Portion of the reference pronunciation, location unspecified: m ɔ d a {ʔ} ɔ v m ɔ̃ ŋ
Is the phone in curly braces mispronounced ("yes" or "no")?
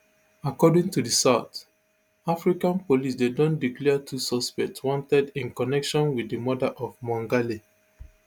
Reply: no